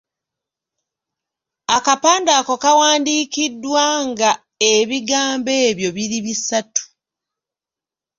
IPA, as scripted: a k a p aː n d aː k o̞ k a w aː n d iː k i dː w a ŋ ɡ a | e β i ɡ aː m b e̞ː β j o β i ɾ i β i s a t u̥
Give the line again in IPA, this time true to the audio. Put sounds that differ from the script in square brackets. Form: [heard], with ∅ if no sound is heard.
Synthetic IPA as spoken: a k a p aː n d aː k o̞ k a w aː n d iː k i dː w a ŋ ɡ a | e β i ɡ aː m b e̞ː β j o β i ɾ i β i s a t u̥